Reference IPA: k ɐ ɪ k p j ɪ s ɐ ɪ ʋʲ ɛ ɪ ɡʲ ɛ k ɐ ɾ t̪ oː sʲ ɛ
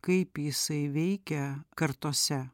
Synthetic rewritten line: k ɐ ɪ p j ɪ s ɐ ɪ ʋʲ ɛ ɪ kʲ ɛ k ɐ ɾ t̪ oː sʲ ɛ